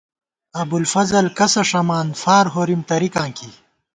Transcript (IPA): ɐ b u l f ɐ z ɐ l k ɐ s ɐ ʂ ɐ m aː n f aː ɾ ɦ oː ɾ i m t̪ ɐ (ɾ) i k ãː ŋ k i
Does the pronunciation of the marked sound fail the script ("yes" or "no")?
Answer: no